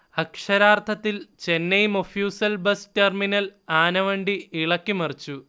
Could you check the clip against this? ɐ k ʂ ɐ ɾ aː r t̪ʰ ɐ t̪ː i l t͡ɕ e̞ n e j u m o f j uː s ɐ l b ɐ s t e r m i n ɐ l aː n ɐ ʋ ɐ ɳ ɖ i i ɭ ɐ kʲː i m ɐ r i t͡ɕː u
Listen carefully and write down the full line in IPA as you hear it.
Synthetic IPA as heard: ɐ k ʂ ɐ ɾ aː r t̪ʰ ɐ t̪ː i l t͡ɕ e̞ nː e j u m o f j uː s ɐ l b ɐ s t e r m i n ɐ l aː n ɐ ʋ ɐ ɳ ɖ i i ɭ ɐ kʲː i m ɐ r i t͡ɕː u

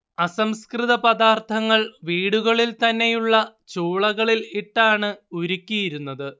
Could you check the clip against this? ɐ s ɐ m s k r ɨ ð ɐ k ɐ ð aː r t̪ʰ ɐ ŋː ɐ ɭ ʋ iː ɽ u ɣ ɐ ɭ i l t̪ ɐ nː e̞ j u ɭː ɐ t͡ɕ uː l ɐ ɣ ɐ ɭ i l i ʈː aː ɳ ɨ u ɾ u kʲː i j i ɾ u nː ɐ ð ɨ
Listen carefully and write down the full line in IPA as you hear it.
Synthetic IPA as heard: ɐ s ɐ m s k r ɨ ð ɐ p ɐ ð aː r t̪ʰ ɐ ŋː ɐ ɭ ʋ iː ɽ u ɣ ɐ ɭ i l t̪ ɐ nː e̞ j u ɭː ɐ t͡ɕ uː ɭ ɐ ɣ ɐ ɭ i l i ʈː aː ɳ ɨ u ɾ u kʲː i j i ɾ u nː ɐ ð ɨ

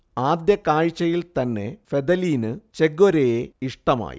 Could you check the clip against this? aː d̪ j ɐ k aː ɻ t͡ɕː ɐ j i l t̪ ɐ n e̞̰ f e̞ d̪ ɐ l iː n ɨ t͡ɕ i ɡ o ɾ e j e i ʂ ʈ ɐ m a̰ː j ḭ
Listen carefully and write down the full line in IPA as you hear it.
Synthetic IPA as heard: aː d̪ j ɐ k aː ɻ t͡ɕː ɐ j i l t̪ ɐ nː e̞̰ f e̞ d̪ ɐ l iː n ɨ t͡ɕ e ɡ o ɾ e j e i ʂ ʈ ɐ m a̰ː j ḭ

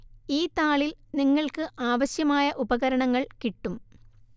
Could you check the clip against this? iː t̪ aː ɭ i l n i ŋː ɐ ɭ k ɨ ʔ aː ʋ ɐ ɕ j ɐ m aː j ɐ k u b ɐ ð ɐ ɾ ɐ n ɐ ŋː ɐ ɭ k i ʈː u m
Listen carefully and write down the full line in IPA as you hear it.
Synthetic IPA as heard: iː t̪ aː ɭ i l n i ŋː ɐ ɭ k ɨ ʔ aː ʋ ɐ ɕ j ɐ m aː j ɐ ʔ u b ɐ ɣ ɐ ɾ ɐ ɳ ɐ ŋː ɐ ɭ k i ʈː u m

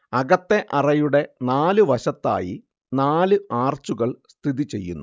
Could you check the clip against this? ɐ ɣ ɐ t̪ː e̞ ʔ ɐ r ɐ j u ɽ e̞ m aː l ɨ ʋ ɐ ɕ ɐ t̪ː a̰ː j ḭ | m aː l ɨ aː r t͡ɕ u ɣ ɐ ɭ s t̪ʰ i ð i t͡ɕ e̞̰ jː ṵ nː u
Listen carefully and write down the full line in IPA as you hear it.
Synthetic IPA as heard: ɐ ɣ ɐ t̪ː e̞ ʔ ɐ r ɐ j u ɽ e̞ n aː l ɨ ʋ ɐ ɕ ɐ t̪ː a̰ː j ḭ | n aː l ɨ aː r t͡ɕ u ɣ ɐ ɭ s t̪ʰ i ð i t͡ɕ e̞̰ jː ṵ nː u

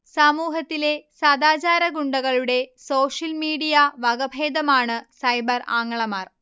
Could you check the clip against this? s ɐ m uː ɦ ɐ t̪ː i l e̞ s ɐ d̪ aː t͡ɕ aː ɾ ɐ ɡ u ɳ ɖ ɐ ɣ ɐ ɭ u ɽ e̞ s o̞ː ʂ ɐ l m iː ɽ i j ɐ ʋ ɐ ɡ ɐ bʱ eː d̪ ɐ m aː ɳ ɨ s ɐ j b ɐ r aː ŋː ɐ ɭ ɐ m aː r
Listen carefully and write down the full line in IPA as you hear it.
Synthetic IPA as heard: s ɐ m uː ɦ ɐ t̪ː i l e̞ s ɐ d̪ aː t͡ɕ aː ɾ ɐ ɡ u ɳ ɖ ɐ ɣ ɐ ɭ u ɽ e̞ s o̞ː ʂ ɐ l m iː ɽ i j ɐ ʋ ɐ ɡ ɐ bʱ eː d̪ ɐ m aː ɳ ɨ s ɐ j b ɐ r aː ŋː ɐ ɭ ɐ m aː r

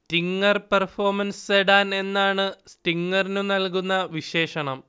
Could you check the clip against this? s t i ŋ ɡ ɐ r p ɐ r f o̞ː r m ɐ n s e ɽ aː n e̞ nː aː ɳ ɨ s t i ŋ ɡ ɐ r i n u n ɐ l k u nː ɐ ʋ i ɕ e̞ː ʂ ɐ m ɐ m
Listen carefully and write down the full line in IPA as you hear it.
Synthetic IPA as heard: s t i ŋ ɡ ɐ r p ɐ r f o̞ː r m ɐ n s e ɽ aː n e̞ nː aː ɳ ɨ s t i ŋ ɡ ɐ r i n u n ɐ l k u nː ɐ ʋ i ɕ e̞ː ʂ ɐ ɳ ɐ m

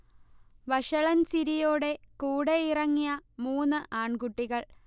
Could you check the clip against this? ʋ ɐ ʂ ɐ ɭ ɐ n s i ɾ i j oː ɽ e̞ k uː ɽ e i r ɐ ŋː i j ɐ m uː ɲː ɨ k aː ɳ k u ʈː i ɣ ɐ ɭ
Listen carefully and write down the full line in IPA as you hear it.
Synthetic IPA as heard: ʋ ɐ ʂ ɐ ɭ ɐ n s i ɾ i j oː ɽ e̞ k uː ɽ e i r ɐ ŋː i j ɐ m uː nː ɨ ʔ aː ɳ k u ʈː i ɣ ɐ ɭ

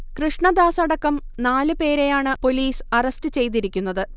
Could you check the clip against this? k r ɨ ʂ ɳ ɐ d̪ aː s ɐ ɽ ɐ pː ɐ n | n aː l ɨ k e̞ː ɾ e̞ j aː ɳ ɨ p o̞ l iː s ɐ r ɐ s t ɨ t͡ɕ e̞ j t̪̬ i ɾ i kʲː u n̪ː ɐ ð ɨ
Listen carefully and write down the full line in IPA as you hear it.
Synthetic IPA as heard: k r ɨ ʂ ɳ ɐ d̪ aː s ɐ ɽ ɐ kː ɐ m | n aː l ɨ p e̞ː ɾ e̞ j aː ɳ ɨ p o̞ l iː s ɐ r ɐ s t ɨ t͡ɕ e̞ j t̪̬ i ɾ i kʲː u n̪ː ɐ ð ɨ

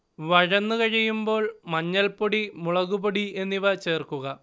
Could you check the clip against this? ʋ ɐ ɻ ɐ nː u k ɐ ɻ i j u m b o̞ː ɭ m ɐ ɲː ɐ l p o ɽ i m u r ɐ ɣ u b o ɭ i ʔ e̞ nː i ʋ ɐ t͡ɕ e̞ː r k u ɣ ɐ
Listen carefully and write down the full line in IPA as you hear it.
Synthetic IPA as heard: ʋ ɐ ɻ ɐ nː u k ɐ ɻ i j u m b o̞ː ɭ m ɐ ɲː ɐ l p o ɽ i m u ɭ ɐ ɣ u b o ɽ i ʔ e̞ nː i ʋ ɐ t͡ɕ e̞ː r k u ɣ ɐ

